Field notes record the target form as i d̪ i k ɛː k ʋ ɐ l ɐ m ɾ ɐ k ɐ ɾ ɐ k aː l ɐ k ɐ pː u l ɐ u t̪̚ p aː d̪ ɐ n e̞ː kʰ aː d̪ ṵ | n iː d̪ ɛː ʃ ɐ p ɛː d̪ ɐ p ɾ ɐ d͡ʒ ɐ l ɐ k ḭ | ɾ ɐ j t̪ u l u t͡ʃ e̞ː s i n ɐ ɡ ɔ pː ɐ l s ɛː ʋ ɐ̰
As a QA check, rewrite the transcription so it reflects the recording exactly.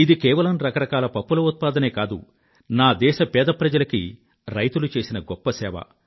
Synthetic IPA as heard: i d̪ i k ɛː ʋ ɐ l ɐ m ɾ ɐ k ɐ ɾ ɐ k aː l ɐ p ɐ pː u l ɐ u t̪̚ p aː d̪ ɐ n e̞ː k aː d̪ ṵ | n aː d̪ ɛː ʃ ɐ p ɛː d̪ ɐ p ɾ ɐ d͡ʒ ɐ l ɐ k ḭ | ɾ ɐ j t̪ u l u t͡ʃ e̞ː s i n ɐ ɡ ɔ pː ɐ s ɛː ʋ ɐ̰